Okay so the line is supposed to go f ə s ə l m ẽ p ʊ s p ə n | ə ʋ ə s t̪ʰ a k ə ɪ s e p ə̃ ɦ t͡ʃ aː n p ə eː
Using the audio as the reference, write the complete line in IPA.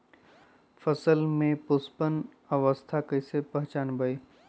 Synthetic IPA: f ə s ə l m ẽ p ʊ s p ə n | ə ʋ ə s t̪ʰ a k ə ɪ s e p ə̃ ɦ t͡ʃ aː n b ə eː